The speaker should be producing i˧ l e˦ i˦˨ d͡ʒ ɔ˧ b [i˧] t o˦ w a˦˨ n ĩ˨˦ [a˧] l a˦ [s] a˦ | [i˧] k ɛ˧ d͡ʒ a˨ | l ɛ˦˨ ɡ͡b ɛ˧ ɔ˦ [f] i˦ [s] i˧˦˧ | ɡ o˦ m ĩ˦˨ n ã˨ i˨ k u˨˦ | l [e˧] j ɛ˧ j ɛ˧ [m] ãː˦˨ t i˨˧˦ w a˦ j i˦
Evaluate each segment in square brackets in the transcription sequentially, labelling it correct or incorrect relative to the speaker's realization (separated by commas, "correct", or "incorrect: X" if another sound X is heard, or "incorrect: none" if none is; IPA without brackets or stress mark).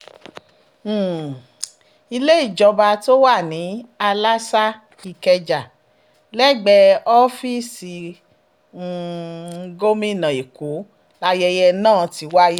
incorrect: a˧, correct, correct, correct, correct, correct, incorrect: a˧, incorrect: n